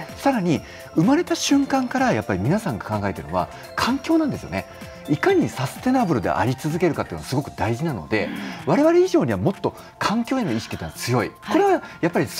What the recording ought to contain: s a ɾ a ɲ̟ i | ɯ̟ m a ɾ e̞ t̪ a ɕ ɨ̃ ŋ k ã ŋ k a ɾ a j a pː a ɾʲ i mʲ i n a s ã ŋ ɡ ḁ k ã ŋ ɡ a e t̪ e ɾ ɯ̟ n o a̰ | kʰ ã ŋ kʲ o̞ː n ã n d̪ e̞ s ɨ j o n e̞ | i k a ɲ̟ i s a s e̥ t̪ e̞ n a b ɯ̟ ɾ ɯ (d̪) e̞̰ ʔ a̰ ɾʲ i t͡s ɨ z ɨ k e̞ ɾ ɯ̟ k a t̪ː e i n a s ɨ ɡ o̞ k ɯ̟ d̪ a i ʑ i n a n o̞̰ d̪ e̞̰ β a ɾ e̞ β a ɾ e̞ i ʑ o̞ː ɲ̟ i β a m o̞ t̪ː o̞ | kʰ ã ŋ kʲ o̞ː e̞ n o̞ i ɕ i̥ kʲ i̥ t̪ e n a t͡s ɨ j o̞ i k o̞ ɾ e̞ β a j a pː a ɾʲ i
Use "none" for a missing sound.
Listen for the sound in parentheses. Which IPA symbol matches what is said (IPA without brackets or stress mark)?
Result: d̪